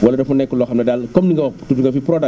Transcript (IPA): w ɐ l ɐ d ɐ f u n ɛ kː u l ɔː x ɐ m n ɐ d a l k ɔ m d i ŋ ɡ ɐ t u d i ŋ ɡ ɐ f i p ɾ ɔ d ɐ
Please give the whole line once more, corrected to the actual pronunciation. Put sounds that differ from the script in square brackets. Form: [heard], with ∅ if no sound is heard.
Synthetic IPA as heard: w ɐ l ɐ d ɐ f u n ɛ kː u l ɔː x ɐ m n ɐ d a l k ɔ m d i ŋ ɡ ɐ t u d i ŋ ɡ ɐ f i p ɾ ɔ d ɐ